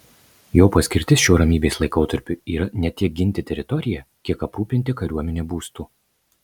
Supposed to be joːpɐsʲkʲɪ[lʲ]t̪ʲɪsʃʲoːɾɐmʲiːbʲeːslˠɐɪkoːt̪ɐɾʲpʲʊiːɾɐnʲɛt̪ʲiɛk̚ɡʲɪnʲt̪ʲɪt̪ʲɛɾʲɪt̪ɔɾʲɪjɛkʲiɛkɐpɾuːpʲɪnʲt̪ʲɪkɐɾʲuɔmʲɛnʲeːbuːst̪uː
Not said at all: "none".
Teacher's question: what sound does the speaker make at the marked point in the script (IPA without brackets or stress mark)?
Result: ɾʲ